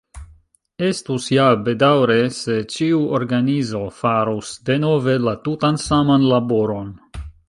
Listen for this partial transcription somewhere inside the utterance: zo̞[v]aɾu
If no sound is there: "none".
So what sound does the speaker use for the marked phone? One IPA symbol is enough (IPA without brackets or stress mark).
f